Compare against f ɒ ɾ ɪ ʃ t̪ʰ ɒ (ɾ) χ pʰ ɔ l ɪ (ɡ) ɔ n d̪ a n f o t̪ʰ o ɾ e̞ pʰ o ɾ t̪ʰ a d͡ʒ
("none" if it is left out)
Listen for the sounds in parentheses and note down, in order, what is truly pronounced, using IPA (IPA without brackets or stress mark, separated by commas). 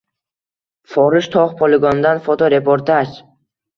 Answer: none, ɡ